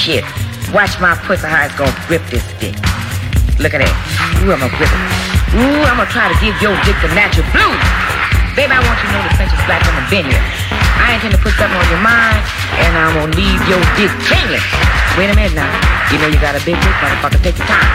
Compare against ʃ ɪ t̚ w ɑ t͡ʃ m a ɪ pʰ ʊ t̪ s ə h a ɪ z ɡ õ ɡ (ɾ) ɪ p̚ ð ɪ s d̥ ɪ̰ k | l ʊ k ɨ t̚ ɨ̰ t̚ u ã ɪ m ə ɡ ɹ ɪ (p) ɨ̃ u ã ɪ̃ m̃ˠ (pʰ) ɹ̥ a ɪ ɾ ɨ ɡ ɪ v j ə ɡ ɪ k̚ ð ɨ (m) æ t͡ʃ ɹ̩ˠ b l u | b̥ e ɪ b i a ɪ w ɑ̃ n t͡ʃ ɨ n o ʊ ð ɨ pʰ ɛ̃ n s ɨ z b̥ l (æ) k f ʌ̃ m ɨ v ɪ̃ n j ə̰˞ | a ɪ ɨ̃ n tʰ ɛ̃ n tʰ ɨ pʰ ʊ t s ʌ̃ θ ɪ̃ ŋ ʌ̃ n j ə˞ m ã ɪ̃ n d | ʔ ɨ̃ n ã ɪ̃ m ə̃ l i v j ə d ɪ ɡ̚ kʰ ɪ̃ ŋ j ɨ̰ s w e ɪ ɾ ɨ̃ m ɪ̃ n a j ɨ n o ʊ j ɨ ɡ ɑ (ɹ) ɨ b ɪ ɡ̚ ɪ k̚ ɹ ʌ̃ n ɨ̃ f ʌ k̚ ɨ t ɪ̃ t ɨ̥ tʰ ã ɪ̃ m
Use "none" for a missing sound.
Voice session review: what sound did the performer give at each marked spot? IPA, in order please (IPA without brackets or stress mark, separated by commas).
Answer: ɹ, p, tʰ, n, æ, ɾ